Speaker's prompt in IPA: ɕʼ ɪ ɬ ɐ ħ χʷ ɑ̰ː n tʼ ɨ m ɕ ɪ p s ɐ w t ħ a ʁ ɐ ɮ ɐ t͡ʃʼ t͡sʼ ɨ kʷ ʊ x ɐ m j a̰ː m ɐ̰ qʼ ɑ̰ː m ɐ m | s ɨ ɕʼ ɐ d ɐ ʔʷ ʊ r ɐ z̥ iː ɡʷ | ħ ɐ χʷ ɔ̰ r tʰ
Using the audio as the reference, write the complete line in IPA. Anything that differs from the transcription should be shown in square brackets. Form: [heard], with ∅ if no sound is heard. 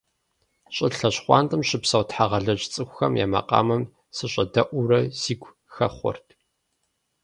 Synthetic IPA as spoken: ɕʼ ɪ ɬ ɐ [ɕ] χʷ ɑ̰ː n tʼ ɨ m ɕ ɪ p s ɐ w t ħ a ʁ ɐ ɮ ɐ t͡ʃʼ t͡sʼ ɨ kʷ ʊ x ɐ m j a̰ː m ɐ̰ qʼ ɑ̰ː m ɐ m | s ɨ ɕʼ ɐ d ɐ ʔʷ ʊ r ɐ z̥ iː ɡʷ | [x] ɐ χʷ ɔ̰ r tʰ